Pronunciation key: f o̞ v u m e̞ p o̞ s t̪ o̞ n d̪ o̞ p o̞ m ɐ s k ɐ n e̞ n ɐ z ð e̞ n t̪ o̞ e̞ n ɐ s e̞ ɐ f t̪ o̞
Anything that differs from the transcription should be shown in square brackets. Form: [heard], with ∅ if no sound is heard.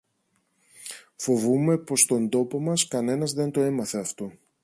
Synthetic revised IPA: f o̞ v u m e̞ p o̞ s t̪ o̞ n d̪ o̞ p o̞ m ɐ s k ɐ n e̞ n ɐ z ð e̞ n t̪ o̞ e̞ [m] ɐ [θ] e̞ ɐ f t̪ o̞